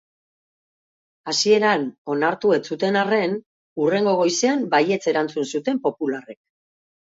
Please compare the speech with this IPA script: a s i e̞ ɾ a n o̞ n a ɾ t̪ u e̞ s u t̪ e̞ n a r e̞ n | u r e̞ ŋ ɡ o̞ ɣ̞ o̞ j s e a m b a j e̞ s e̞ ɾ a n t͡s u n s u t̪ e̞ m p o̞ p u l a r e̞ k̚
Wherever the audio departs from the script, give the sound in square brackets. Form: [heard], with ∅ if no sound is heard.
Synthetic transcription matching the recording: a s i e̞ ɾ a n o̞ n a ɾ t̪ u e̞ [t͡s] u t̪ e̞ n a r e̞ n | u r e̞ ŋ ɡ o̞ ɣ̞ o̞ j s e a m b a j e̞ [t͡s] e̞ ɾ a n t͡s u n s u t̪ e̞ m p o̞ p u l a r e̞ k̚